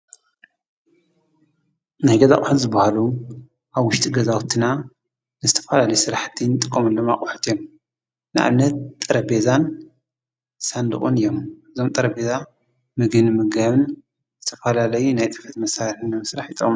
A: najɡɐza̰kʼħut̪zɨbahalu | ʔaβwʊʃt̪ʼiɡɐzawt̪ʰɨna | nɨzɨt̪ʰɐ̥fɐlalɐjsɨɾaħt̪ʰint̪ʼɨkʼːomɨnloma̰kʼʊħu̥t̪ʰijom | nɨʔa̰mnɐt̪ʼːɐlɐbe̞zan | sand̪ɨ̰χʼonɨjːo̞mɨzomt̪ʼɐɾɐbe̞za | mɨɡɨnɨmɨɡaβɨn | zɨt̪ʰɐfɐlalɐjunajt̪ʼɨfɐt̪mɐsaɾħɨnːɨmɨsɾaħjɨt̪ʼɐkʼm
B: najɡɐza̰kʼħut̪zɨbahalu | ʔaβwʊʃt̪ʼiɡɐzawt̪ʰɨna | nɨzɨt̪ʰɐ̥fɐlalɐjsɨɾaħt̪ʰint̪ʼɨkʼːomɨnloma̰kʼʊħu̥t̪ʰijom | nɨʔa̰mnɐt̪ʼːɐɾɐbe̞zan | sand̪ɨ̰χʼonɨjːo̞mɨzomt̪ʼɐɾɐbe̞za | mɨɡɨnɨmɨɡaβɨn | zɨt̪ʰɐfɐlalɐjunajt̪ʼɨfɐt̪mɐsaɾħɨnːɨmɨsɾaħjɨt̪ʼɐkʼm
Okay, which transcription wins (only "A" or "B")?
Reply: B